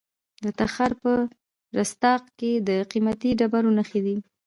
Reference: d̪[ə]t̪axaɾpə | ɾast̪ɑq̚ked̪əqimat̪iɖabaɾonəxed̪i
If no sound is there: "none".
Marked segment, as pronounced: ə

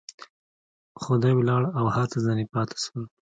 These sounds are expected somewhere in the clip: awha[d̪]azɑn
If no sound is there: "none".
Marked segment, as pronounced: t̪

